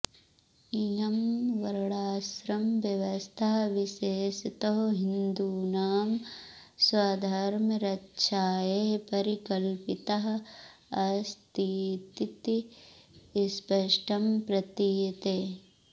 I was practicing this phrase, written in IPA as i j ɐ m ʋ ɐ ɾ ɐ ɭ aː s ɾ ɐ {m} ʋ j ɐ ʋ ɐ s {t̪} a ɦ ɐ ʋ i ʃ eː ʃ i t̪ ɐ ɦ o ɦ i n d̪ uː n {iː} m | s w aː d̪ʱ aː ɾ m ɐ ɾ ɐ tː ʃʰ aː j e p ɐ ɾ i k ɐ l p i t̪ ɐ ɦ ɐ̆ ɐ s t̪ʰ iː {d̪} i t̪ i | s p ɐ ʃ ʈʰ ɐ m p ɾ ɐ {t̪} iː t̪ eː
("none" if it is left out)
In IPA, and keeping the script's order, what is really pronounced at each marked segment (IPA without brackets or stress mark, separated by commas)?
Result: m, t̪ʰ, aː, t̪, t̪